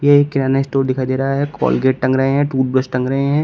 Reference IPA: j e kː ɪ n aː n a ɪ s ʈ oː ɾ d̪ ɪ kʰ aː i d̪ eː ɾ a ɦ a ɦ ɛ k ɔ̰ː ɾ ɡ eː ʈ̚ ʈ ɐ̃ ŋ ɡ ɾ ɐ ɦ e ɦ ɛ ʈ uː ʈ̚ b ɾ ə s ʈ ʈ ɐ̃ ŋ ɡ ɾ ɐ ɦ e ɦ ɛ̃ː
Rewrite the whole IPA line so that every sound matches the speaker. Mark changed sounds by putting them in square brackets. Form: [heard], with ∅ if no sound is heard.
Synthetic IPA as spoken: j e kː ɪ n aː n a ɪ s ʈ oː ɾ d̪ ɪ kʰ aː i d̪ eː ɾ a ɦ a ɦ ɛ k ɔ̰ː [l] ɡ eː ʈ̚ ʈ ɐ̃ ŋ ɡ ɾ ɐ ɦ e ɦ [ɛ̃] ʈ uː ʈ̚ b ɾ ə s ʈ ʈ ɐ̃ ŋ ɡ ɾ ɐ ɦ e ɦ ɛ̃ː